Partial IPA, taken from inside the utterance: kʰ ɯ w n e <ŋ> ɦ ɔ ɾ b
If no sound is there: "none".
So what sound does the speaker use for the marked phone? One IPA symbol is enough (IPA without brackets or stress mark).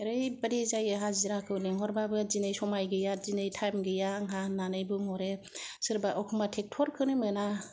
ŋ